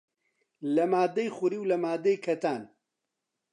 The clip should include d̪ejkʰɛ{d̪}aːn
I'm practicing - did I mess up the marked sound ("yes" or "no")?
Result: yes